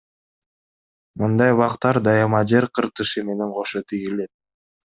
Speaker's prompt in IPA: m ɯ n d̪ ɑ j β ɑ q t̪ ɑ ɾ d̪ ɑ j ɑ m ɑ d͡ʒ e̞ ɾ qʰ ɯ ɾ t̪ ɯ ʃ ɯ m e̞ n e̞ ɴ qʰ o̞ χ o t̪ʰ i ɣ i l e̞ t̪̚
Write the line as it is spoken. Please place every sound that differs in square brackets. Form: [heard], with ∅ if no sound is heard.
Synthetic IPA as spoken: m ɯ n d̪ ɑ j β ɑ q t̪ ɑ ɾ d̪ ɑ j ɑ m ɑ d͡ʒ e̞ ɾ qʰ ɯ ɾ t̪ ɯ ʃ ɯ m e̞ n e̞ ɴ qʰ o̞ [ʃ] o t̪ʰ i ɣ i l e̞ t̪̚